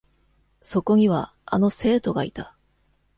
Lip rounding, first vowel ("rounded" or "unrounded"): rounded